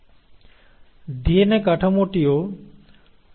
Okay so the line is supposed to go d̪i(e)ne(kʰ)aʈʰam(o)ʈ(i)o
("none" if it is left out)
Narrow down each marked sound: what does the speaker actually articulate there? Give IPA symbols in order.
e, k, o, i

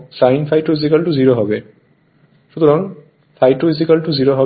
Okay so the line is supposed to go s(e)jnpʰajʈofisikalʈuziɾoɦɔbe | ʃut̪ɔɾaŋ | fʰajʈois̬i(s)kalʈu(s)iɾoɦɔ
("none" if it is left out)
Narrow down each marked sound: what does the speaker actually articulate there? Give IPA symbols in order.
a, none, z

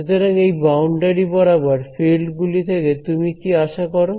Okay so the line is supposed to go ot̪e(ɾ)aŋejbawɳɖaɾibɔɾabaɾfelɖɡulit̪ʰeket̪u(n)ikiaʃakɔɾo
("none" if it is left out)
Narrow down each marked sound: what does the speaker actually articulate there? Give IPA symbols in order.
ɾ, m

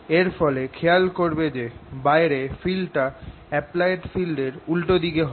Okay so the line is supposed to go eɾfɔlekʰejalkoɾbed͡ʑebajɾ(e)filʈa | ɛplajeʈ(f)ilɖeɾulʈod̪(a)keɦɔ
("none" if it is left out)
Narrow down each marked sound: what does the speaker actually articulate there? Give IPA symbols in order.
e, f, i

